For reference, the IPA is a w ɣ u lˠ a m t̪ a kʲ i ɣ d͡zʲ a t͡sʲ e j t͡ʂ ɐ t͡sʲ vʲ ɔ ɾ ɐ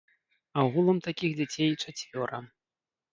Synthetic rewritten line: a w ɣ u lˠ ɐ m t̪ a kʲ i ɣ d͡zʲ a t͡sʲ e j t͡ʂ a t͡sʲ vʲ ɔ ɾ ɐ